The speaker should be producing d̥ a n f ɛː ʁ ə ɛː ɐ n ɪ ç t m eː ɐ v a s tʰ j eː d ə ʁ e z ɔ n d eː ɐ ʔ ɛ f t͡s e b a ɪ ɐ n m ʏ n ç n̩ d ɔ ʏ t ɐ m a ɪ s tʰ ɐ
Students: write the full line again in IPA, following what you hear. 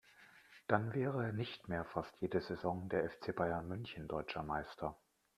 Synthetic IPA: d̥ a n v ɛː ʁ ə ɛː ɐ n ɪ ç t m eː ɐ f a s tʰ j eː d ə z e z ɔ ŋ d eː ɐ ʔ ɛ f t͡s e b a ɪ ɐ n m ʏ n ç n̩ d ɔ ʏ t͡ʃ ɐ m a ɪ s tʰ ɐ